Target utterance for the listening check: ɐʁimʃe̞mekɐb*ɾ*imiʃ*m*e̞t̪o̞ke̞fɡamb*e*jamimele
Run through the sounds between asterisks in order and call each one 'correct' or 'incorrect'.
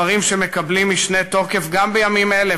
incorrect, incorrect, correct

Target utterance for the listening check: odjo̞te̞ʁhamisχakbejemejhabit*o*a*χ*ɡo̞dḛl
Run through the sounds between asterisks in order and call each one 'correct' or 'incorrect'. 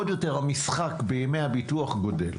incorrect, correct

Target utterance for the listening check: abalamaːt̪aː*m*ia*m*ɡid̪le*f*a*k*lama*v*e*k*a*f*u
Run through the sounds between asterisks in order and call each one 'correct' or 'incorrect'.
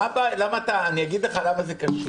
incorrect, incorrect, incorrect, incorrect, incorrect, correct, incorrect

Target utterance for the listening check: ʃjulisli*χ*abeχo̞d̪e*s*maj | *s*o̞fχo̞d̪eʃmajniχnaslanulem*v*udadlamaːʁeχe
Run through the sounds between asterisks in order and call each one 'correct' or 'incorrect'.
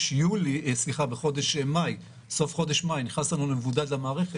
correct, incorrect, correct, correct

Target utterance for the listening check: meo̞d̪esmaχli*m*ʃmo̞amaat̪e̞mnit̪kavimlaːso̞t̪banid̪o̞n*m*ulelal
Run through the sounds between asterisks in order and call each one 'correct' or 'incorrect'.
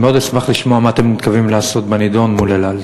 incorrect, correct

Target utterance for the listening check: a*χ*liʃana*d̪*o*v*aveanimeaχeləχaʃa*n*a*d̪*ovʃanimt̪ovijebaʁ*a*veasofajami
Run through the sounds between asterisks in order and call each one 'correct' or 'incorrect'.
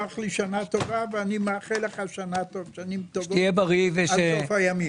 correct, incorrect, correct, correct, incorrect, incorrect

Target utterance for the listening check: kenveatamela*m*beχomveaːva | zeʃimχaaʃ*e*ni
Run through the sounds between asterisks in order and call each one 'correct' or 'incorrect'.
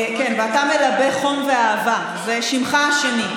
incorrect, correct

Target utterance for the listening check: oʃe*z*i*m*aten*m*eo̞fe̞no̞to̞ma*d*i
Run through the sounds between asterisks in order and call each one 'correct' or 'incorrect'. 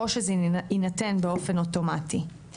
correct, incorrect, incorrect, incorrect

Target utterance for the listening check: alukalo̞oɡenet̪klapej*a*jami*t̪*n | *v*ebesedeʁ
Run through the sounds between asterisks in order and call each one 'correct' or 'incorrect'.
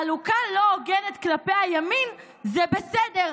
correct, incorrect, incorrect

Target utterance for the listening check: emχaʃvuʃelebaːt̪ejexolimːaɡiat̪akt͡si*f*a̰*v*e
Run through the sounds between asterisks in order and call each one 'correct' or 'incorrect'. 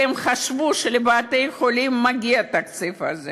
correct, incorrect

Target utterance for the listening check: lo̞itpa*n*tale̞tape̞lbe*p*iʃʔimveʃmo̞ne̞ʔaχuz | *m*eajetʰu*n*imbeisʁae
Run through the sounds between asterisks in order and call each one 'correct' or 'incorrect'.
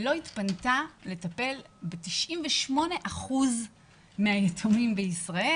correct, incorrect, correct, incorrect

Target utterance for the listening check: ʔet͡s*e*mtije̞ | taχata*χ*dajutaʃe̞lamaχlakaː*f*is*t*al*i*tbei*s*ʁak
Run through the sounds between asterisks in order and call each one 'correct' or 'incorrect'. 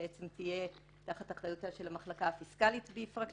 correct, correct, correct, incorrect, correct, incorrect

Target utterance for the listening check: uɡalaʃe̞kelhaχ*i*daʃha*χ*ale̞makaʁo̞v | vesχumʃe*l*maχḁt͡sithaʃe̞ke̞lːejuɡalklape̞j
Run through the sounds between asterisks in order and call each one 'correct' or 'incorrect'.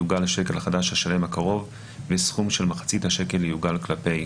incorrect, incorrect, correct

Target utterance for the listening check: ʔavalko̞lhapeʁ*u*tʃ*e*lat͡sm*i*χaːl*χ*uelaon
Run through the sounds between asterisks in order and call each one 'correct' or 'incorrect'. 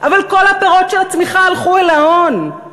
incorrect, correct, correct, correct

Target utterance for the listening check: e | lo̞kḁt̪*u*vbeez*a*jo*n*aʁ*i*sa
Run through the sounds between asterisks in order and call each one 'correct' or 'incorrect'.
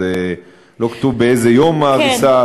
correct, incorrect, incorrect, correct

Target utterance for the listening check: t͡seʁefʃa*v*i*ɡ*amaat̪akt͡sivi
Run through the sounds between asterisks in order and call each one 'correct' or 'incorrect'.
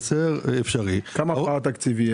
incorrect, incorrect

